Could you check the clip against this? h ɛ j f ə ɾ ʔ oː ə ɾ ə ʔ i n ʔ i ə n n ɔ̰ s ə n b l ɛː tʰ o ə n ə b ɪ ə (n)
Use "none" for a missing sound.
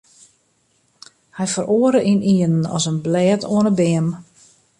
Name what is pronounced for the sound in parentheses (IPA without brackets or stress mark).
m